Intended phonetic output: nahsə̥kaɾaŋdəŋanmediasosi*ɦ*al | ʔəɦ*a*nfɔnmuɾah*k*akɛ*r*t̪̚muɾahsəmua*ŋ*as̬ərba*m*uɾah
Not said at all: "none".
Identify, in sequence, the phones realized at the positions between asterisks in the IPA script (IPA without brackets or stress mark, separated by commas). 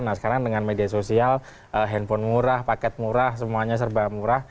none, ɛ, p, none, ɲ, m